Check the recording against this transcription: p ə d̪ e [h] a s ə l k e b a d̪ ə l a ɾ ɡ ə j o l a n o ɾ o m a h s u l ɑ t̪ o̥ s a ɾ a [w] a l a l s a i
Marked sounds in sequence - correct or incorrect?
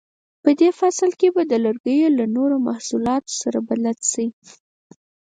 incorrect, incorrect

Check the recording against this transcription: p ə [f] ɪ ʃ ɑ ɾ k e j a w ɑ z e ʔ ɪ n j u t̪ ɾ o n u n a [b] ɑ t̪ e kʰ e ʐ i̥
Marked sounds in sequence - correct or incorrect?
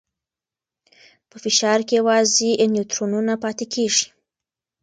correct, incorrect

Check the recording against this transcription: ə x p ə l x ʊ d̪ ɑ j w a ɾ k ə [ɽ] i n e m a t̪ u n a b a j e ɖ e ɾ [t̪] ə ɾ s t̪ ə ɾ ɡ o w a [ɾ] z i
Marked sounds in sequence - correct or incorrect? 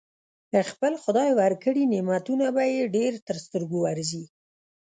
correct, correct, correct

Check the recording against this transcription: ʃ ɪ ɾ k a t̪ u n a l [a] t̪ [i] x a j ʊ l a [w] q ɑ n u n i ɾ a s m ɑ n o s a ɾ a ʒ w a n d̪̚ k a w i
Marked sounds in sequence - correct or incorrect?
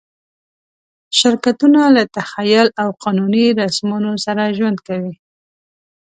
correct, incorrect, correct

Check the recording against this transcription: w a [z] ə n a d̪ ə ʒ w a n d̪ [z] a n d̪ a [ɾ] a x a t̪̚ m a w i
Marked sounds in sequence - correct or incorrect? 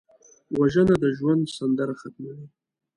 incorrect, incorrect, correct

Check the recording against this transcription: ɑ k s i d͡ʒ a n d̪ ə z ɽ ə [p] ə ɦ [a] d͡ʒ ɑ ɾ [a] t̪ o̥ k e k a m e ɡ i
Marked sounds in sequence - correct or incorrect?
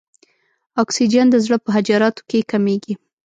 correct, correct, incorrect

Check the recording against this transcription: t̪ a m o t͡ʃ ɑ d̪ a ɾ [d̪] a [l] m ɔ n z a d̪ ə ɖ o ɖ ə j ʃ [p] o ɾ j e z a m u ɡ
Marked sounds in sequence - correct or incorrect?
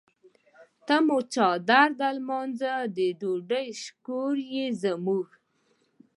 correct, correct, incorrect

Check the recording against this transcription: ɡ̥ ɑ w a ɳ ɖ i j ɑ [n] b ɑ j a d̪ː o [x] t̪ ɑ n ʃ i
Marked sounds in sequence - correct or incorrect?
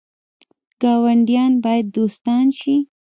correct, incorrect

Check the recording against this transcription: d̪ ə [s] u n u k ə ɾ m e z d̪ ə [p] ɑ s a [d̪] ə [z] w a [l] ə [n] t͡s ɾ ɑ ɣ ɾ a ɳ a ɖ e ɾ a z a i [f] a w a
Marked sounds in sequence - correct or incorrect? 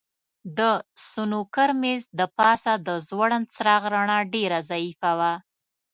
correct, correct, correct, correct, incorrect, correct, correct

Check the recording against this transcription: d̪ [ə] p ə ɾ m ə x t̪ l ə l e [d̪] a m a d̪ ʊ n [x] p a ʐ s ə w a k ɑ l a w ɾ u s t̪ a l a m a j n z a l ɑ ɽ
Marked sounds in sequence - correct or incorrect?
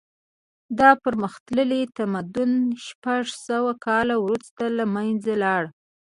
incorrect, incorrect, incorrect

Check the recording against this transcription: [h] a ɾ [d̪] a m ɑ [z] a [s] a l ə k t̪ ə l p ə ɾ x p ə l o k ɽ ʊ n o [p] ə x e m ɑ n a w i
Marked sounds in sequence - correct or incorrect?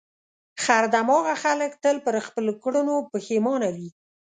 incorrect, correct, incorrect, incorrect, correct

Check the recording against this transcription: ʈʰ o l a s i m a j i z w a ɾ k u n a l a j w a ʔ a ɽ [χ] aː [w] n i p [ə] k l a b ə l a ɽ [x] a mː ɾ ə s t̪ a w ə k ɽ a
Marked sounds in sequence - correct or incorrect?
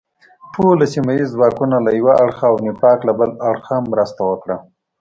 incorrect, correct, incorrect, correct

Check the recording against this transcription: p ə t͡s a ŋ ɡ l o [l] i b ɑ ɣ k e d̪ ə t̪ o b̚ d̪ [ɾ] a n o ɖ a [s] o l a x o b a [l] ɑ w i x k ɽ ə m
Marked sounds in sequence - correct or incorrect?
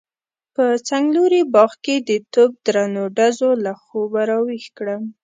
incorrect, correct, incorrect, incorrect

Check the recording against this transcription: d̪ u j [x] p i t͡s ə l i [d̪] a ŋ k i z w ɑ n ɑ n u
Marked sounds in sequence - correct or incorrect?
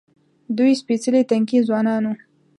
incorrect, incorrect

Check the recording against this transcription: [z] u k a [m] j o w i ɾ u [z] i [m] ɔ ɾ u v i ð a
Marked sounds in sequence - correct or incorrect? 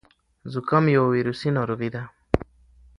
correct, correct, incorrect, incorrect

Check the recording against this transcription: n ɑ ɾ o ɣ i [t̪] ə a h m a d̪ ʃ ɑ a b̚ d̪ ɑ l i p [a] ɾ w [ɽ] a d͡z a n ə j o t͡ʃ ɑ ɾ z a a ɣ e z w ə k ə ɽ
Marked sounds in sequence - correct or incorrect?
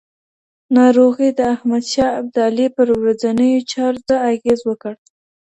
incorrect, incorrect, incorrect

